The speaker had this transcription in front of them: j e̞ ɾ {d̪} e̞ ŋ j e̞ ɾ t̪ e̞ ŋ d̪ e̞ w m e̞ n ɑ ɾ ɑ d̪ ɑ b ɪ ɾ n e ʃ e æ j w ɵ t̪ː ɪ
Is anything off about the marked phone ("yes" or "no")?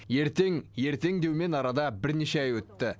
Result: yes